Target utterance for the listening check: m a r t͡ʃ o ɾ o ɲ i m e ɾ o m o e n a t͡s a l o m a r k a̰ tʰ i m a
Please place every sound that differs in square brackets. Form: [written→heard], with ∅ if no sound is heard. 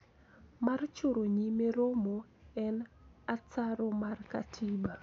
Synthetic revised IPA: m a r t͡ʃ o ɾ o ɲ i m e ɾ o m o [e→ɛ] n a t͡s a [l→ɾ] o m a r k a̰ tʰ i [m→b] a